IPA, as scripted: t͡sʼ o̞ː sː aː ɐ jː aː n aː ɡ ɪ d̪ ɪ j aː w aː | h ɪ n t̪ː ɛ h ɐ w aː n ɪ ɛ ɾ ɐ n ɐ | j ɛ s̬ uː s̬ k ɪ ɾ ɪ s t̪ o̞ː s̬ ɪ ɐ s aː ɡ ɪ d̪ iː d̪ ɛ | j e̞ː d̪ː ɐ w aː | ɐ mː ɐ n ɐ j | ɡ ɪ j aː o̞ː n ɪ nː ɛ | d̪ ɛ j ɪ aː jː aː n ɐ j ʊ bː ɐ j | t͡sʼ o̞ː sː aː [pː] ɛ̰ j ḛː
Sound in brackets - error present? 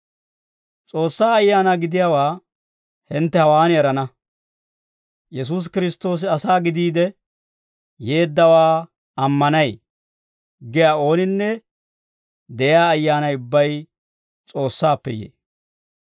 no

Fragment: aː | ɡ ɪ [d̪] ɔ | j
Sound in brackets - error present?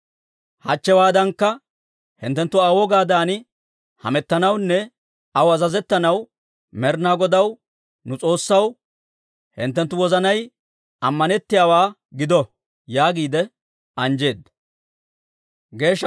no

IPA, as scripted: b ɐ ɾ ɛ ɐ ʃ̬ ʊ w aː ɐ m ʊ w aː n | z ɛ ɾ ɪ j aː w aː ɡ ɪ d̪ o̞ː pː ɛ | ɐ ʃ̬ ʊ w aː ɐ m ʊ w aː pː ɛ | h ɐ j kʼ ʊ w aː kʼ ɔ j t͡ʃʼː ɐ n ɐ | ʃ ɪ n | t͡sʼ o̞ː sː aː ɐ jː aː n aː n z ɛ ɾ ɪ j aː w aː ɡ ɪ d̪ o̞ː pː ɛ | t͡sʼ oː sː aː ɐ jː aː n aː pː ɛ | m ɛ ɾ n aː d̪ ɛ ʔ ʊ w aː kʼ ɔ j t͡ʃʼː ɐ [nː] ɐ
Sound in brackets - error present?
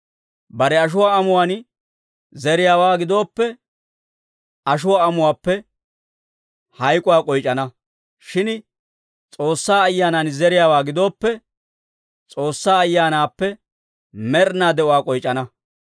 yes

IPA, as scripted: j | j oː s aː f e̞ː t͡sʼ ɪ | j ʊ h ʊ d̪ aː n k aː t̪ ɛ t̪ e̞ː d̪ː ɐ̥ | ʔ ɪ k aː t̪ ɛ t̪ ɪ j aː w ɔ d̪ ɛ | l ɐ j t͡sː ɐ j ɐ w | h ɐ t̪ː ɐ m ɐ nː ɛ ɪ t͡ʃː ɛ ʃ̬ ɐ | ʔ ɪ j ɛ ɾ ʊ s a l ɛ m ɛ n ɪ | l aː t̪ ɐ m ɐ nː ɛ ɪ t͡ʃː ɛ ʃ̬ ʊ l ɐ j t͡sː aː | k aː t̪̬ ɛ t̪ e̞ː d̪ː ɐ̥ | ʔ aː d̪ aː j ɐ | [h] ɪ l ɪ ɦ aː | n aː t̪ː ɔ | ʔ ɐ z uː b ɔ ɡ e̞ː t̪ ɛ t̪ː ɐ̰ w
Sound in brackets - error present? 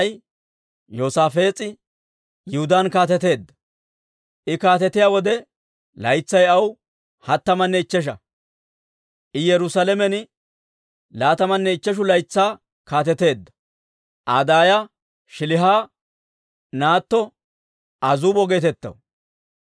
yes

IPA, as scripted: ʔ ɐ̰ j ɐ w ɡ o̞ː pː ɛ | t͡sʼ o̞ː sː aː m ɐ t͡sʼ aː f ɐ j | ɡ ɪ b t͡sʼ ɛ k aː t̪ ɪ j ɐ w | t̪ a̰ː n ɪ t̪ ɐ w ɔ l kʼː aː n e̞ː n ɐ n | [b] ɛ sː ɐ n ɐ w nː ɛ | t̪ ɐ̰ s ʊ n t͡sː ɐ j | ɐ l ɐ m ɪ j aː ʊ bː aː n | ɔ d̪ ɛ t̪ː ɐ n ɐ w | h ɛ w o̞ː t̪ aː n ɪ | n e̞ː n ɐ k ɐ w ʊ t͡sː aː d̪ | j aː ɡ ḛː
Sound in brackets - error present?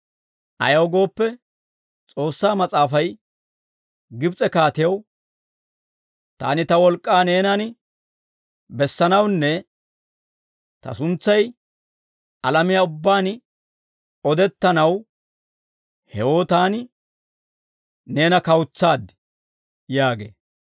no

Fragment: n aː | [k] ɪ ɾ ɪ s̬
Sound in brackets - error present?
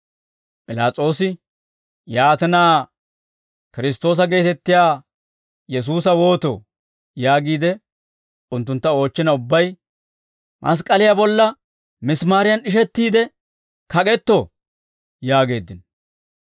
no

